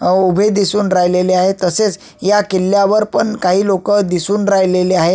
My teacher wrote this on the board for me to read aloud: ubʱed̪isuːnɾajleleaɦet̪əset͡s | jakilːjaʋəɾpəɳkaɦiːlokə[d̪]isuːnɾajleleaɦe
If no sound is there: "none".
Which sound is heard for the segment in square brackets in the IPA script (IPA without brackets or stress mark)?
d̪